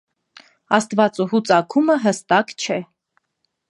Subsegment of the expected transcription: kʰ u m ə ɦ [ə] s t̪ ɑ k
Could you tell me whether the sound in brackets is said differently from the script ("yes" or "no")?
no